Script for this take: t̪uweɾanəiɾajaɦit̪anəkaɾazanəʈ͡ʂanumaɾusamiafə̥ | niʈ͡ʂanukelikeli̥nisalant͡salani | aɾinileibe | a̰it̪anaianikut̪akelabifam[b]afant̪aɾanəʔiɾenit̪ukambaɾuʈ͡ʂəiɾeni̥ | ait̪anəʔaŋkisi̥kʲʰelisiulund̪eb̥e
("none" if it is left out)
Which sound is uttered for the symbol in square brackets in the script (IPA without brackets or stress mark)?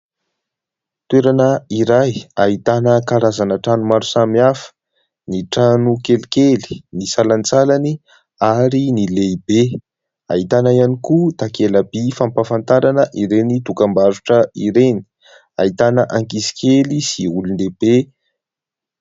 p